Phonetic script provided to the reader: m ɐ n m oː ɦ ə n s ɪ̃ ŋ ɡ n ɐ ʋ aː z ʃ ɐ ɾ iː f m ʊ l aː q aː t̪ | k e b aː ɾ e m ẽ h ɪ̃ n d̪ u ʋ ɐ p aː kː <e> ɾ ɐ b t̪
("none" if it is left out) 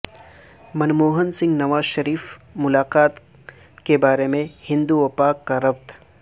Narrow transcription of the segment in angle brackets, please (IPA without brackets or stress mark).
a